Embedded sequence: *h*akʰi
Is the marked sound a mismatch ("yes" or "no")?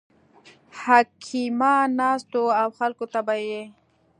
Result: no